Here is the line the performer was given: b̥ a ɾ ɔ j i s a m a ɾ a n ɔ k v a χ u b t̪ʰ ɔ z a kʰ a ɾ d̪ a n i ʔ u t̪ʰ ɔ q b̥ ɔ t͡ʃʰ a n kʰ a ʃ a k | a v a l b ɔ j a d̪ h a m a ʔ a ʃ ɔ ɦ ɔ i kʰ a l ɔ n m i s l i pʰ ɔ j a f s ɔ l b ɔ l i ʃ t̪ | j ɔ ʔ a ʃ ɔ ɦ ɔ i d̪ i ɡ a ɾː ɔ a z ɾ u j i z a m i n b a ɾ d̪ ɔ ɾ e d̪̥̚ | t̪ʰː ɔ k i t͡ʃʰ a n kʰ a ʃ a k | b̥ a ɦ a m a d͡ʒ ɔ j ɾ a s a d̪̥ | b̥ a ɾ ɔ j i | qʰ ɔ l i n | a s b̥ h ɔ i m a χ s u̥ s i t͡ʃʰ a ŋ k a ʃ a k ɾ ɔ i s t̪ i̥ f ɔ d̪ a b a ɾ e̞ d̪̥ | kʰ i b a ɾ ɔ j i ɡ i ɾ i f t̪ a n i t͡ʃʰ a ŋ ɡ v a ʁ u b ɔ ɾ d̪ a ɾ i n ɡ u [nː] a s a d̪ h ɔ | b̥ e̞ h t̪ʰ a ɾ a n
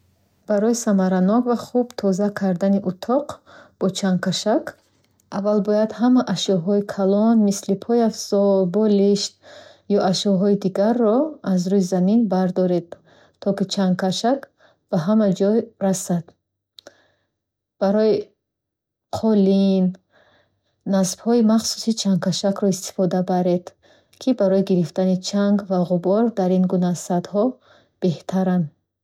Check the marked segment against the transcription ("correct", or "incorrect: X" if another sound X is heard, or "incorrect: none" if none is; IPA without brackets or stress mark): incorrect: n